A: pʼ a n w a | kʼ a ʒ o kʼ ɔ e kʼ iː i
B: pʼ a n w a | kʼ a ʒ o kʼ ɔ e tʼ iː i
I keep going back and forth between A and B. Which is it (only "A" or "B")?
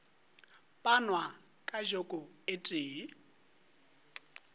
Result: B